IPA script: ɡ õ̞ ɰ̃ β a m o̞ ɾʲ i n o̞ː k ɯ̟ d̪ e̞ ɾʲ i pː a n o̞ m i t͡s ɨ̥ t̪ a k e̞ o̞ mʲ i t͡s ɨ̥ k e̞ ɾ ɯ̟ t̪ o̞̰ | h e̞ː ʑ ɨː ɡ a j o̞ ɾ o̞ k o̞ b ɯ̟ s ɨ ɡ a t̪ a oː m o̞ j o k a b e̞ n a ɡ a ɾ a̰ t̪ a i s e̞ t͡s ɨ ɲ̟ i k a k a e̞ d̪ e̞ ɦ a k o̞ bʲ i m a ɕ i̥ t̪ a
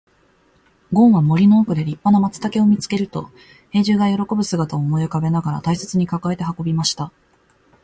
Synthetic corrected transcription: ɡ õ̞ ɰ̃ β a m o̞ ɾʲ i n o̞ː k ɯ̟ d̪ e̞ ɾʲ i pː a n o̞ m a t͡s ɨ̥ t̪ a k e̞ o̞ mʲ i t͡s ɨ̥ k e̞ ɾ ɯ̟ t̪ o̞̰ | h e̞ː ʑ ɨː ɡ a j o̞ ɾ o̞ k o̞ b ɯ̟ s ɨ ɡ a t̪ a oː m o̞ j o k a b e̞ n a ɡ a ɾ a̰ t̪ a i s e̞ t͡s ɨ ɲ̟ i k a k a e̞ t̪ e̞ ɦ a k o̞ bʲ i m a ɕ i̥ t̪ a